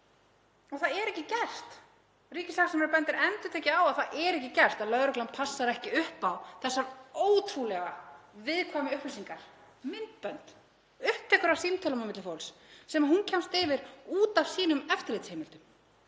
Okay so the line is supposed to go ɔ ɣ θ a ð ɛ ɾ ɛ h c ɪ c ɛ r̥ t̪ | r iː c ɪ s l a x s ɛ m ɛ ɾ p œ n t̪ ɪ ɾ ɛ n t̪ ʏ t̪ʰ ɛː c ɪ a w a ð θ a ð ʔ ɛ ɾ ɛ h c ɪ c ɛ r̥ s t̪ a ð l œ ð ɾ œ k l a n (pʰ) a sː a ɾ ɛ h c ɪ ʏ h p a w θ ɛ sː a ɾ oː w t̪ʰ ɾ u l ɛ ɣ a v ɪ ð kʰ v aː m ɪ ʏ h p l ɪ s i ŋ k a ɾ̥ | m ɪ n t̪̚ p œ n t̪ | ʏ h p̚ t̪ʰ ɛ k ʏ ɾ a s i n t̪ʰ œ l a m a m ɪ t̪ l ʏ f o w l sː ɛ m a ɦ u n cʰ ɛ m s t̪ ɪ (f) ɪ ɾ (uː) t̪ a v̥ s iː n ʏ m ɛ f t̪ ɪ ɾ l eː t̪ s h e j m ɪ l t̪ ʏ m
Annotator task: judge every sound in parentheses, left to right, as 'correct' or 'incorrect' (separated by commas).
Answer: correct, incorrect, correct